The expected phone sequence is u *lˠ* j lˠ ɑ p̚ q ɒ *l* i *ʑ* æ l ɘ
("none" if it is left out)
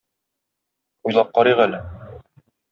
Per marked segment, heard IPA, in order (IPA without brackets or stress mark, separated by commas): none, ɾ, ʁ